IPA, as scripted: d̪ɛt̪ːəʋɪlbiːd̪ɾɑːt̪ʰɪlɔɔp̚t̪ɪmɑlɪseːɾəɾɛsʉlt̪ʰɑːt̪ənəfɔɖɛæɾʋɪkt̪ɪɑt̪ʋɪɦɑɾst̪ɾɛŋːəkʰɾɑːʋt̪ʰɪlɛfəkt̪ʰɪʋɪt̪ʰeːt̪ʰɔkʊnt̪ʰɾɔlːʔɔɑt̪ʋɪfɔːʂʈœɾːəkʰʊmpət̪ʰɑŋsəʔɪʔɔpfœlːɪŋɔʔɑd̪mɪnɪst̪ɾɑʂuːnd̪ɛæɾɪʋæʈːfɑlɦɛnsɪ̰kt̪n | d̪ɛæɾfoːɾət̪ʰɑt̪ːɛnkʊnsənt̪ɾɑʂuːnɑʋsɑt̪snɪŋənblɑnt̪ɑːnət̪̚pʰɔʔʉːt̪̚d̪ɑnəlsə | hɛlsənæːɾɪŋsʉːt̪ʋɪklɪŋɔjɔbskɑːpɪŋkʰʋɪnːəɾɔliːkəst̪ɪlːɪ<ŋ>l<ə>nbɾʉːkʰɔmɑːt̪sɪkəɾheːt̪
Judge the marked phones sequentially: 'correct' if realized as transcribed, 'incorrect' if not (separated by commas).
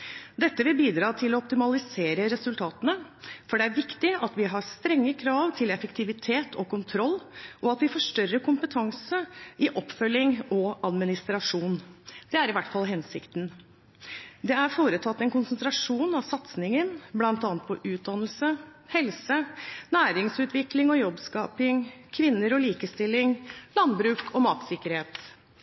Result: correct, incorrect